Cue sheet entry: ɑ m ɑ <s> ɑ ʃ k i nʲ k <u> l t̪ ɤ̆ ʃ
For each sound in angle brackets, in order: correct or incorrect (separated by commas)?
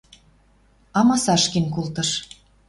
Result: correct, correct